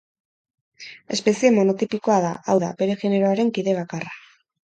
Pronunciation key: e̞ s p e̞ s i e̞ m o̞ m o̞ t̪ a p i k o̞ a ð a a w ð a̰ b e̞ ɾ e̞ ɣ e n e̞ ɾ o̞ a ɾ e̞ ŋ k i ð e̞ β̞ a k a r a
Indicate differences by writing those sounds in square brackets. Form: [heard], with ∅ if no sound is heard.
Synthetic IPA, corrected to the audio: e̞ s p e̞ s i e̞ m o̞ [n] o̞ t̪ [i] p i k o̞ a ð a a w ð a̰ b e̞ ɾ e̞ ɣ e n e̞ ɾ o̞ a ɾ e̞ ŋ k i ð e̞ β̞ a k a r a